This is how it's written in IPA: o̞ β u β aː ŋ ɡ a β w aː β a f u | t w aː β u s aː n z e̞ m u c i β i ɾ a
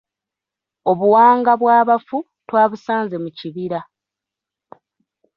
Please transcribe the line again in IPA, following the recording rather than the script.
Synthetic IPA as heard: o̞ β u w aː ŋ ɡ a β w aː β a f u | t w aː β u s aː n z e̞ m u c i β i ɾ a